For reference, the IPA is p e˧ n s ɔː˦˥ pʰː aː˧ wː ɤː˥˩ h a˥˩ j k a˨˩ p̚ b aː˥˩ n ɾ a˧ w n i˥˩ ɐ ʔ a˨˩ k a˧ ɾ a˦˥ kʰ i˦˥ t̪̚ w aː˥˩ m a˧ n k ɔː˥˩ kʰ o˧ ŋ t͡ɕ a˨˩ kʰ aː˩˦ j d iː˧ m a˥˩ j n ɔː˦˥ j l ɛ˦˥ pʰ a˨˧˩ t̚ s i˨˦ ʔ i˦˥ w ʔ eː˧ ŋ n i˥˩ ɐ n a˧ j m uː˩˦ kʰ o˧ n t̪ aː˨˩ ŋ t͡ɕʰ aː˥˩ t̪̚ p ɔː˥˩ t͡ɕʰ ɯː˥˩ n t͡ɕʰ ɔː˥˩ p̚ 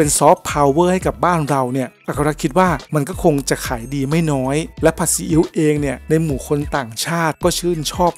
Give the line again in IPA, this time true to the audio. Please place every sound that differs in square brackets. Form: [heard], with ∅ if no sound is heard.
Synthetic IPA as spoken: p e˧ n s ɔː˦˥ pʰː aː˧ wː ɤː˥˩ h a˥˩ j k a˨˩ p̚ b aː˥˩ n ɾ a˧ w n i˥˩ ɐ ʔ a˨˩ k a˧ ɾ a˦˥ kʰ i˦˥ t̪̚ w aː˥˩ m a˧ n k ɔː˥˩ kʰ o˧ ŋ t͡ɕ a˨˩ kʰ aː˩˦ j d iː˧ m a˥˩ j n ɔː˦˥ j l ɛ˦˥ pʰ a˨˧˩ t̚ s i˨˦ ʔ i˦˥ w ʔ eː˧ ŋ n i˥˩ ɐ n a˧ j m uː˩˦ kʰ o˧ n t̪ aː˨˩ ŋ t͡ɕʰ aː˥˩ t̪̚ [k] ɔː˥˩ t͡ɕʰ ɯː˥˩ n t͡ɕʰ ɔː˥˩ p̚